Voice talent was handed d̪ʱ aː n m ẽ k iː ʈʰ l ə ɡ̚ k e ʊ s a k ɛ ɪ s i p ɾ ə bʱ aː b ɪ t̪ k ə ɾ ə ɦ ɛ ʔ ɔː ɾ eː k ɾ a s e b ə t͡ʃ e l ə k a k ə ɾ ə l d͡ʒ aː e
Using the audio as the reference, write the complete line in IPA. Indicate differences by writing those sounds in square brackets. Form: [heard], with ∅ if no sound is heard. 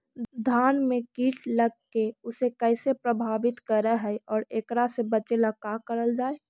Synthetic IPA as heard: d̪ʱ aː n m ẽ k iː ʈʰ l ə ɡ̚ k e ʊ s [e] k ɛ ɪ s [e] p ɾ ə bʱ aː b ɪ t̪ k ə ɾ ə ɦ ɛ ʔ ɔː ɾ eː k ɾ a s e b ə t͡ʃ e l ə k a k ə ɾ ə l d͡ʒ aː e